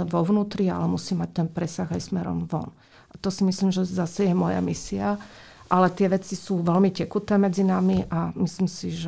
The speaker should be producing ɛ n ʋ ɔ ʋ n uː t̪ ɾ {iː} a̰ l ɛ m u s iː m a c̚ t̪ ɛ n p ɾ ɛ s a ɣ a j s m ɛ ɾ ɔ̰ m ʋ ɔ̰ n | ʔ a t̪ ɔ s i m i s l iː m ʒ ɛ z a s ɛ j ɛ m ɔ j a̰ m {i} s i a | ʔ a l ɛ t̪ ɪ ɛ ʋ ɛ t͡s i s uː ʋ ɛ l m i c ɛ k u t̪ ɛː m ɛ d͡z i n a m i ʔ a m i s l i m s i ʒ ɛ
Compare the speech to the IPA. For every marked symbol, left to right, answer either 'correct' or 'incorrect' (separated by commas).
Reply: incorrect, correct